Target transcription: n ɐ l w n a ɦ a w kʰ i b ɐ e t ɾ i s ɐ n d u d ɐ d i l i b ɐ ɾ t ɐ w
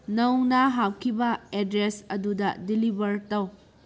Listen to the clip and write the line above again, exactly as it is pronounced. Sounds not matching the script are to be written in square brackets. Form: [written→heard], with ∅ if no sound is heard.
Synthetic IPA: n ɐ [l→∅] w n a ɦ a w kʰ i b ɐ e [t→d] ɾ [i→e] s ɐ [n→∅] d u d ɐ d i l i b ɐ ɾ t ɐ w